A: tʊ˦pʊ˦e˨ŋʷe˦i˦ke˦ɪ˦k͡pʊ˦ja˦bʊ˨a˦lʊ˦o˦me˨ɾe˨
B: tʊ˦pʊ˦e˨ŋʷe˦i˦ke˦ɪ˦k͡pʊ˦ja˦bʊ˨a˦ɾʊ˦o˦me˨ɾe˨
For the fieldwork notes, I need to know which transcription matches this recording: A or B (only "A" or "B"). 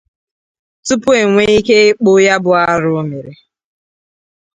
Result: B